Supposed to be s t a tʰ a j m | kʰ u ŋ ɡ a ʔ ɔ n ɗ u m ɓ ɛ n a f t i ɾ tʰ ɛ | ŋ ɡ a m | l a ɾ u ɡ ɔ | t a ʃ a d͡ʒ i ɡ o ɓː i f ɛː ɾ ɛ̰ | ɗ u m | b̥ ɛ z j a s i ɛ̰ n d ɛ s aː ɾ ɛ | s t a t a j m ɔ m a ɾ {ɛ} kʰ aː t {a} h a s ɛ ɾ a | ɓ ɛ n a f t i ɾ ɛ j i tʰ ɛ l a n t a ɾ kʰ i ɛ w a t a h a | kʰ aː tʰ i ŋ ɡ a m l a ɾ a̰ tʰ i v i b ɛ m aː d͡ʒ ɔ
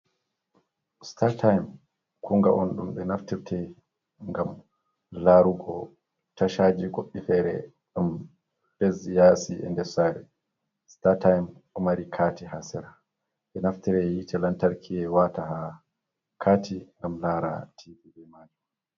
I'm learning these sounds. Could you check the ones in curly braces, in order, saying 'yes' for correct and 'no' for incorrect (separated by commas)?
no, no